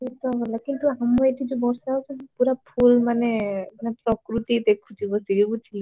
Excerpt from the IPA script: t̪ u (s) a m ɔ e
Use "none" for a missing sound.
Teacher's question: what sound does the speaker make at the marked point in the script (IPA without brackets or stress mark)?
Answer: none